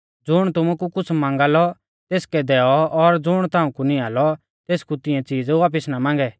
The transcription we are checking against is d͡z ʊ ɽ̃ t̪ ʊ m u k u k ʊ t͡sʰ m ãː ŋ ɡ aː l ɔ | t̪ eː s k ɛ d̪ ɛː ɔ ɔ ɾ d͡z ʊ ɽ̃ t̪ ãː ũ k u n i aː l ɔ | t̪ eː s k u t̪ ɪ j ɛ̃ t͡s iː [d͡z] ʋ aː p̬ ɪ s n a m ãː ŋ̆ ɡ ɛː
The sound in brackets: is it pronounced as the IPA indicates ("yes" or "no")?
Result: yes